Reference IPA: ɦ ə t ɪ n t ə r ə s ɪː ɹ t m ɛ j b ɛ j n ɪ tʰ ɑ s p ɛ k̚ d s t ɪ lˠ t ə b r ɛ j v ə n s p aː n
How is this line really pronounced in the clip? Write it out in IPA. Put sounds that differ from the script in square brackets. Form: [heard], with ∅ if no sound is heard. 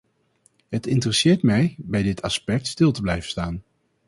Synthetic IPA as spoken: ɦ ə t ɪ n t ə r ə s ɪː ɹ t m ɛ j b ɛ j [d] ɪ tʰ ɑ s p ɛ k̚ [t] s t ɪ lˠ t ə b [l] ɛ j v ə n s [t] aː n